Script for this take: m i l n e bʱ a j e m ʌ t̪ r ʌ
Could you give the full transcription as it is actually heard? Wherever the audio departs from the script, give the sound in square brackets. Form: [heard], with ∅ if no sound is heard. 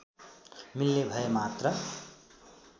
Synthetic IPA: m i l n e bʱ [ʌ] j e m [a] t̪ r ʌ